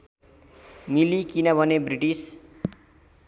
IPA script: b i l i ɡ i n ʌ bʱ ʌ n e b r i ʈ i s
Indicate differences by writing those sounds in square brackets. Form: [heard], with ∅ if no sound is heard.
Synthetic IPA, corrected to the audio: [m] i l i [k] i n ʌ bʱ ʌ n e b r i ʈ i s

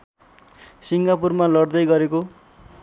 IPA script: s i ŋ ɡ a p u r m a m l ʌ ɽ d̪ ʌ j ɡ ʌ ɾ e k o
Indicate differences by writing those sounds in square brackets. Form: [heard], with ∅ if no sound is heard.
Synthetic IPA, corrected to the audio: s i ŋ ɡ a p u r m a [∅] l ʌ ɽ d̪ ʌ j ɡ ʌ ɾ e k o

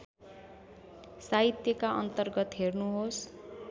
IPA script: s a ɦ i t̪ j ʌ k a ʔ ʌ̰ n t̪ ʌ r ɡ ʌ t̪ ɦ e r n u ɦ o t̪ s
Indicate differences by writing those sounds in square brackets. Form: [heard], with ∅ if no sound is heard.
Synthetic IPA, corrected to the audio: s a ɦ i t̪ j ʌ k a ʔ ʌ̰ n t̪ ʌ r ɡ ʌ t̪ ɦ e r n u ɦ o [∅] s

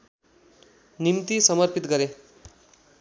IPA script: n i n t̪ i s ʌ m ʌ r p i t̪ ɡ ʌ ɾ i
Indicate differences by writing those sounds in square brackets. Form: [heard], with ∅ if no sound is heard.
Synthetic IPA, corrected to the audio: n i [m] t̪ i s ʌ m ʌ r p i t̪ ɡ ʌ ɾ [e]

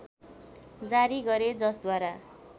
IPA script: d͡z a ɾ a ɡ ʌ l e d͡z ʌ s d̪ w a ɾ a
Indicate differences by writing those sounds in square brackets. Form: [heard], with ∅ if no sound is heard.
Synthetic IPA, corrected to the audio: d͡z a ɾ [i] ɡ ʌ [ɾ] e d͡z ʌ s d̪ w a ɾ a

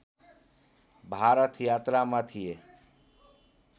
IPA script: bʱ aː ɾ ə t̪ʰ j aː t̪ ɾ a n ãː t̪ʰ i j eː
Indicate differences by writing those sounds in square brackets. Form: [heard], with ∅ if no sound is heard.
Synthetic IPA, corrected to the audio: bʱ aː ɾ ə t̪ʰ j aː t̪ ɾ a [m] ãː t̪ʰ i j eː

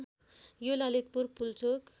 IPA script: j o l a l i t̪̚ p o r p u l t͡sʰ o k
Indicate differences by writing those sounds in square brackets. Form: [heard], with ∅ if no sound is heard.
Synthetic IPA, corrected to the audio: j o l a l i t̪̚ p [u] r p u l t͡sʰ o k

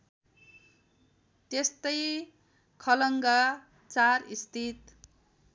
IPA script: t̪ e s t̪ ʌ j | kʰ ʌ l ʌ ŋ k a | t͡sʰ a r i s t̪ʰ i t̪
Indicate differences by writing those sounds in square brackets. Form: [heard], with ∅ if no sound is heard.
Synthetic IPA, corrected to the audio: t̪ e s t̪ ʌ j | kʰ ʌ l ʌ ŋ [ɡ] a | [t͡s] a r i s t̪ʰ i t̪

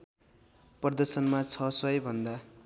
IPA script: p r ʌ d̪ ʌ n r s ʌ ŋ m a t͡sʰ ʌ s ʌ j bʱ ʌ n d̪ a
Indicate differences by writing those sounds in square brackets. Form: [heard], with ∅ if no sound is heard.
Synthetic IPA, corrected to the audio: p r ʌ d̪ ʌ [∅] r s ʌ [n] m a t͡sʰ ʌ s ʌ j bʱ ʌ n d̪ a

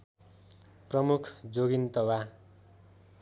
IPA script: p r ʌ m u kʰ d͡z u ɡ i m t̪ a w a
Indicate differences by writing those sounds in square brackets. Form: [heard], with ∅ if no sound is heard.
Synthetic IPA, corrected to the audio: p r ʌ m u kʰ d͡z [o] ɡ i [n] t̪ [ʌ] w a

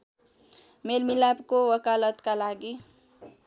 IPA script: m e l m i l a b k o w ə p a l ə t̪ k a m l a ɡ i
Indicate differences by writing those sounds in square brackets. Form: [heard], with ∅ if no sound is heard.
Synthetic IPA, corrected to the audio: m e l m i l a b k o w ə [k] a l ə t̪ k a [∅] l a ɡ i

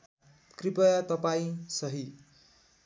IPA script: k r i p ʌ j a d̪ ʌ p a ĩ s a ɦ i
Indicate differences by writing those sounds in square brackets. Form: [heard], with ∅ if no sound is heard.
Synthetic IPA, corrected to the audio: k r i p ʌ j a [t̪] ʌ p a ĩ s [ʌ] ɦ i

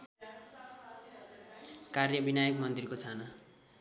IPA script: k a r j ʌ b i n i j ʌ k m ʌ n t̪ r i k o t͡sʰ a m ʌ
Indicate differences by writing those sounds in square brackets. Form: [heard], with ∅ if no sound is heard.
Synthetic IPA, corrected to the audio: k a r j ʌ b i n [a] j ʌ k m ʌ n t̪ r i k o t͡sʰ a [n] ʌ

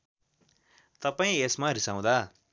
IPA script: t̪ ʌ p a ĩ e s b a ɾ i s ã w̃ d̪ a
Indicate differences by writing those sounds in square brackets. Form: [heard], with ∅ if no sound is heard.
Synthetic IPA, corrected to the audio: t̪ ʌ p a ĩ e s [m] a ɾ i s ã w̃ d̪ a

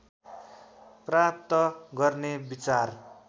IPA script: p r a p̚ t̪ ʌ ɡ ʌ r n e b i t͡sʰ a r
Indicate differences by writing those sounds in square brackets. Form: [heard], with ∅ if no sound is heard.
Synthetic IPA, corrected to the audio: p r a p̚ t̪ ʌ ɡ ʌ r n e b i [t͡s] a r

